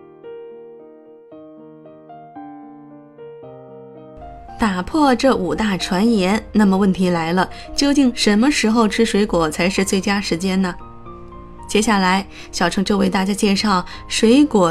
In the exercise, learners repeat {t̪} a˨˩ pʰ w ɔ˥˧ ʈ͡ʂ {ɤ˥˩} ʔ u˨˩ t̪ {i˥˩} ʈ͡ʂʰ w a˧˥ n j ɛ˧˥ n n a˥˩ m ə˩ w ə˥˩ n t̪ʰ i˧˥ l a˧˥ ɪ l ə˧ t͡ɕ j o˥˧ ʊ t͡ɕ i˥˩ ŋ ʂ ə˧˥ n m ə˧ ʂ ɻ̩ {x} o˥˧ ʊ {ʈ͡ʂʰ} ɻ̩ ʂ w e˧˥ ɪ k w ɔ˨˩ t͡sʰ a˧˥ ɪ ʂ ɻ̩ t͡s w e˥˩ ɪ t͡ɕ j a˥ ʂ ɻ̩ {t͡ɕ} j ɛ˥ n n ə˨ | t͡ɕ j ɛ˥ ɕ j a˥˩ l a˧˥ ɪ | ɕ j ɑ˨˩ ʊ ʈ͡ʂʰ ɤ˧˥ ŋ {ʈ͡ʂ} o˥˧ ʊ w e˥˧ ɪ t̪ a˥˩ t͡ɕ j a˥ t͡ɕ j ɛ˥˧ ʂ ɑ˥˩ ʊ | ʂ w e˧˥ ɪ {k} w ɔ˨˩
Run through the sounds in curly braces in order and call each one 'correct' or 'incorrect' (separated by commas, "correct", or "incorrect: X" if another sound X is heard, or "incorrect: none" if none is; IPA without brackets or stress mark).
correct, correct, incorrect: a˥˩, correct, correct, correct, correct, correct